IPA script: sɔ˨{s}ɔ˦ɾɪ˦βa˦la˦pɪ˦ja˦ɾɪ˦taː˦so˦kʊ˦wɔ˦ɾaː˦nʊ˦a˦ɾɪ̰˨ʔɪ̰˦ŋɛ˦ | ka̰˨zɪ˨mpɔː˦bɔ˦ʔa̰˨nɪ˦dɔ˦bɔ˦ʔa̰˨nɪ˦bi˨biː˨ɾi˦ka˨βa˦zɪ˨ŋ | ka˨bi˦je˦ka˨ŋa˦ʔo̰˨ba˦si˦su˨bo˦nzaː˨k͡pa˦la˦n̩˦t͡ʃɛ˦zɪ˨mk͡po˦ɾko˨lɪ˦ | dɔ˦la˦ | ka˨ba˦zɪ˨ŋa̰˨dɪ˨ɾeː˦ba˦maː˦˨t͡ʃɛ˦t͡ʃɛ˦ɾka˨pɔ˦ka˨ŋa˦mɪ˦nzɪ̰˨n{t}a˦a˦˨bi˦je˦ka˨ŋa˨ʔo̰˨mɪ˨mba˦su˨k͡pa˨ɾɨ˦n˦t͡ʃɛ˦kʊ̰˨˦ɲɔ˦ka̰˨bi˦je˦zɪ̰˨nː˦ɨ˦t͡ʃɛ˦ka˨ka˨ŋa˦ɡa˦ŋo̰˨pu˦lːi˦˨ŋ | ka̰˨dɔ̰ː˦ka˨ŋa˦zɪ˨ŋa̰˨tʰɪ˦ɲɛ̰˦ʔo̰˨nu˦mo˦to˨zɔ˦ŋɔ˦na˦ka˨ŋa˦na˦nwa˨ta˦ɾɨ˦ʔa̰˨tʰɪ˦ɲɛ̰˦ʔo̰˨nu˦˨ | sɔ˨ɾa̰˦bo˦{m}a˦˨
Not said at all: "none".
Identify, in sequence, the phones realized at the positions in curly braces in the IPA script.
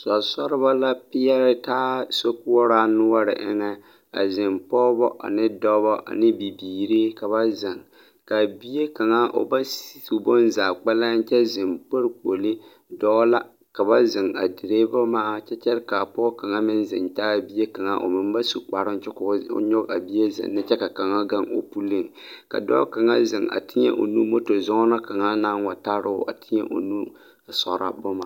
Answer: s, t, m

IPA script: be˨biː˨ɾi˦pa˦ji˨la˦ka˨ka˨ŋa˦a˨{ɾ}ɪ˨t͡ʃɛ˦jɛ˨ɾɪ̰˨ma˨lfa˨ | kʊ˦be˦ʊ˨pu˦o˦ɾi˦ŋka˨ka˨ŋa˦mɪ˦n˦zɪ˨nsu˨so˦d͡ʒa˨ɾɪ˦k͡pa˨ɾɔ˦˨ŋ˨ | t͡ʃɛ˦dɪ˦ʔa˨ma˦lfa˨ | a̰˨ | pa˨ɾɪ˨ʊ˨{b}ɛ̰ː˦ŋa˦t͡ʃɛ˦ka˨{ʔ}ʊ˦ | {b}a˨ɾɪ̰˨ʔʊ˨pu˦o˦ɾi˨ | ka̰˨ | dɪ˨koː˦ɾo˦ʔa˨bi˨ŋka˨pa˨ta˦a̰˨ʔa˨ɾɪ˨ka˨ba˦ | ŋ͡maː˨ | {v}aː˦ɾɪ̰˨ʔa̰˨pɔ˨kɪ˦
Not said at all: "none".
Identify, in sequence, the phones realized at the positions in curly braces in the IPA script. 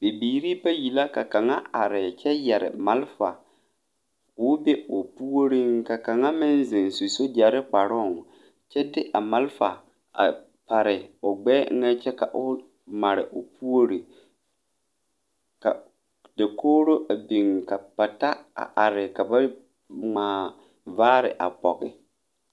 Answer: ɾ, ɡ͡b, ʔ, m, v

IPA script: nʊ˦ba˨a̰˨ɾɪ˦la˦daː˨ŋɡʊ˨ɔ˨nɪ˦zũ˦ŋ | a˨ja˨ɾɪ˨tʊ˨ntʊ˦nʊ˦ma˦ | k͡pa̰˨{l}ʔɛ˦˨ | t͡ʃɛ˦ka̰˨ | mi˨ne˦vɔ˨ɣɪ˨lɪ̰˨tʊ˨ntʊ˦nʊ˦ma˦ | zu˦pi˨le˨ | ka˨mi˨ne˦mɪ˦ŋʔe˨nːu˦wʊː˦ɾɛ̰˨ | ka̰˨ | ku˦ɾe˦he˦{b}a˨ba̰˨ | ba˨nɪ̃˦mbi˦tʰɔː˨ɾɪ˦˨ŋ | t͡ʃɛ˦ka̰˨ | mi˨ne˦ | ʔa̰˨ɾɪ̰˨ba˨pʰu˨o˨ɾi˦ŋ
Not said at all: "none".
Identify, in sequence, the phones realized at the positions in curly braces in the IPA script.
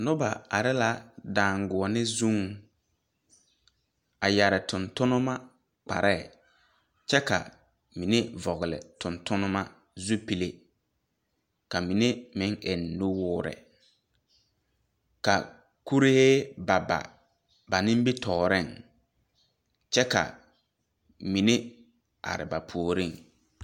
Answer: ɾ, b

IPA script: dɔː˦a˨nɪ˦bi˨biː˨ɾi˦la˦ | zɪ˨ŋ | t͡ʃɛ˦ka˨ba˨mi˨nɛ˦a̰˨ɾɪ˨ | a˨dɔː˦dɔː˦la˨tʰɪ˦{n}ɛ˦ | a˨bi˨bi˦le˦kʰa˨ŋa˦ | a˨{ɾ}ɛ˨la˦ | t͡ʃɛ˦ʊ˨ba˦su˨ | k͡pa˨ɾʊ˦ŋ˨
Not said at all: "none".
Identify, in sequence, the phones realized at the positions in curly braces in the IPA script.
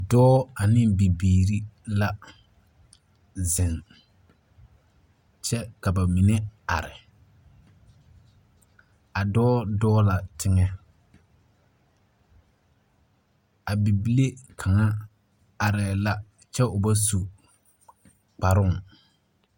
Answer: ŋ, ɾ

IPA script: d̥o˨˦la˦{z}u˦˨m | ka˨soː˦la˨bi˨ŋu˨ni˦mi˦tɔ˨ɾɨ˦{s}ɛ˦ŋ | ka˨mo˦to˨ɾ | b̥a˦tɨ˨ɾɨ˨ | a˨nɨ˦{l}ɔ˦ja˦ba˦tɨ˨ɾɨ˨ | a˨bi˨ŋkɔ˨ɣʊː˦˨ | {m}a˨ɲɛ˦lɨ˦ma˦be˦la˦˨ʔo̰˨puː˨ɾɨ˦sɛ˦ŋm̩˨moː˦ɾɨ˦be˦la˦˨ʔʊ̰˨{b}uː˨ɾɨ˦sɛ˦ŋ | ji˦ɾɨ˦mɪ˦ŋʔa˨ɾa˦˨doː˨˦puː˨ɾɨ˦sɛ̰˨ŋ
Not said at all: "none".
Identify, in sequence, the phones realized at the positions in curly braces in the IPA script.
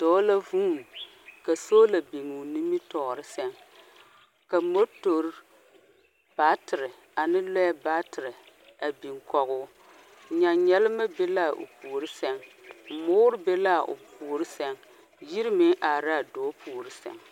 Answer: v, s, l, ɲ, p

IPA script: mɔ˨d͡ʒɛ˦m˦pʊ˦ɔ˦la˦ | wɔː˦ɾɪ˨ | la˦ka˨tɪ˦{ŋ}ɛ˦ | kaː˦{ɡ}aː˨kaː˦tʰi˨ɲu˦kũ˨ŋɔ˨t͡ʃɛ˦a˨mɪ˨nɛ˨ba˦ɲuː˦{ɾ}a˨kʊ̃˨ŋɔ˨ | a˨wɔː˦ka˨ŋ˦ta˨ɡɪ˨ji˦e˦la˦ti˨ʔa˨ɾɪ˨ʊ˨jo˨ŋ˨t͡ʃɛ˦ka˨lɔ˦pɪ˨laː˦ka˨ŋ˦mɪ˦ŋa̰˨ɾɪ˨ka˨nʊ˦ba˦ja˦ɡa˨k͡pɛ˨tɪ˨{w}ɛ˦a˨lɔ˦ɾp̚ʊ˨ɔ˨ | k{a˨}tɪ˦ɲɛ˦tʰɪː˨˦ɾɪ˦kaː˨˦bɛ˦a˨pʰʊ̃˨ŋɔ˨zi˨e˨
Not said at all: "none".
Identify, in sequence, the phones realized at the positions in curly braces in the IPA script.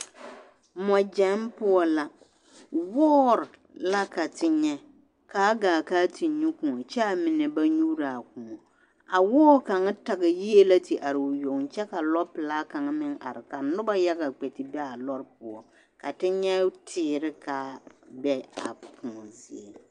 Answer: ɲ, ɡ, ɾ, b, a˨

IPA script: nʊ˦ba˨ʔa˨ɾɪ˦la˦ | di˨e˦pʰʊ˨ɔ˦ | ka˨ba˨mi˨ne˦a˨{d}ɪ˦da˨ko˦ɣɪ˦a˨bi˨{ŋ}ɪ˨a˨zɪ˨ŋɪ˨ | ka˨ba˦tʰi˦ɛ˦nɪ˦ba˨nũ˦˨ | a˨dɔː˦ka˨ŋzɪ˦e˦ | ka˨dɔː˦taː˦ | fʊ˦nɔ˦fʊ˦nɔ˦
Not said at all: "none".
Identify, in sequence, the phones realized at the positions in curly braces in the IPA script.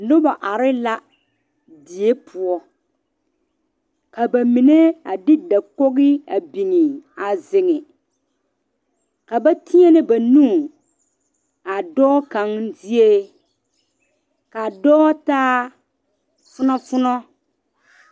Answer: d, ŋ

